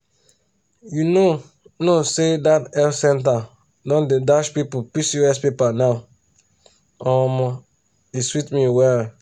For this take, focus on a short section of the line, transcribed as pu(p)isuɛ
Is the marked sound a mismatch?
no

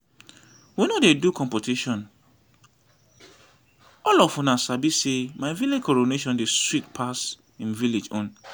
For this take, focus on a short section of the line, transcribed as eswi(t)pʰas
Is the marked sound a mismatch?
no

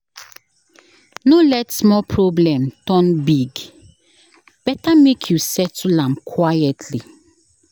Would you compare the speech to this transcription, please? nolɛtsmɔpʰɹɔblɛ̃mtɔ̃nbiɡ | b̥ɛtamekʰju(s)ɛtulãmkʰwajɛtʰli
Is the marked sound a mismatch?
no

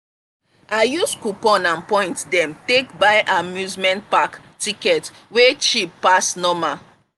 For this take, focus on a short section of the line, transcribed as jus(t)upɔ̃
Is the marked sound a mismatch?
yes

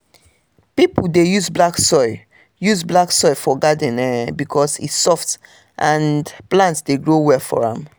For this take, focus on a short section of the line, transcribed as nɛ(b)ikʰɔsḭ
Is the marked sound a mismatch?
no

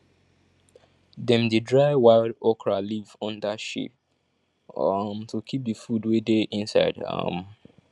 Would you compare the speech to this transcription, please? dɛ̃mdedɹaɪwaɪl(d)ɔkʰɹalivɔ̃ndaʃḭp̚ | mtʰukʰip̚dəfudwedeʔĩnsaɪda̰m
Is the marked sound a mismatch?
no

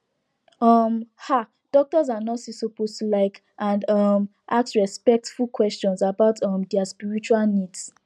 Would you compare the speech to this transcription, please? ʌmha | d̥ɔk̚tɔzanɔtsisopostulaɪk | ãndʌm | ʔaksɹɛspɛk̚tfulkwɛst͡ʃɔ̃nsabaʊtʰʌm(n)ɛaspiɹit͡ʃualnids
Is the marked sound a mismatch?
yes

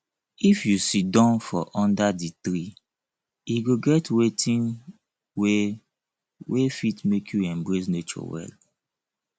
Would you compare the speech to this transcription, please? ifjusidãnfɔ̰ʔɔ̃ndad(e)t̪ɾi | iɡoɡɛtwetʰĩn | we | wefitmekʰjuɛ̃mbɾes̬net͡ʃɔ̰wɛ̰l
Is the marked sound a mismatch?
yes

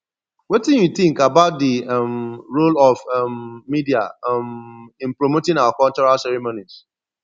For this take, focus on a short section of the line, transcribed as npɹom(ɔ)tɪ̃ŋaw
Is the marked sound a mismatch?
yes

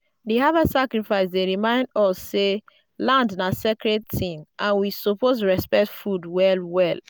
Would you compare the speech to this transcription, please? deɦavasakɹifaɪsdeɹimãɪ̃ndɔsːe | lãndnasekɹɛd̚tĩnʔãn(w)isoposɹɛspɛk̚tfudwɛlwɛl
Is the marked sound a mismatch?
no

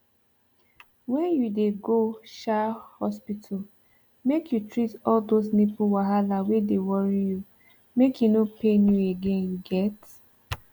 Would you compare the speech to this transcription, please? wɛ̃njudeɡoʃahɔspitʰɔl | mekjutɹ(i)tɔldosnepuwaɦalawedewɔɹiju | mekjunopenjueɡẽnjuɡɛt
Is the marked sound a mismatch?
no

